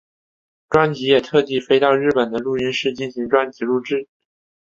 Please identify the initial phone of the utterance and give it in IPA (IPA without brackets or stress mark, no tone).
ʈ͡ʂ